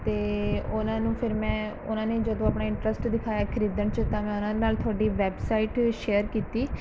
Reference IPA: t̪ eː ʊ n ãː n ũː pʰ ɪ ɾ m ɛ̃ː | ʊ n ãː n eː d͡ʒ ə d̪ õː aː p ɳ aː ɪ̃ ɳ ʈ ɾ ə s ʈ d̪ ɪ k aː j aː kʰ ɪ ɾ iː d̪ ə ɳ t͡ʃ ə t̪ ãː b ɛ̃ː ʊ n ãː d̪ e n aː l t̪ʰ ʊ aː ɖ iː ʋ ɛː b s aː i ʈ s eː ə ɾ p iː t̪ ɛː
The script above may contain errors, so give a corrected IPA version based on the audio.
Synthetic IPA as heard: t̪ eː ʊ n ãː n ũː pʰ ɪ ɾ m ɛ̃ː | ʊ n ãː n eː d͡ʒ ə d̪ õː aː p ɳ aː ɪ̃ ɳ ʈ ɾ ə s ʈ d̪ ɪ kʰ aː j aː kʰ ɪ ɾ iː d̪ ə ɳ t͡ʃ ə t̪ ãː m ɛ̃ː ʊ n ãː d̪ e n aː l t̪ʰ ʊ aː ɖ iː ʋ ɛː b s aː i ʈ ʃ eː ə ɾ k iː t̪ iː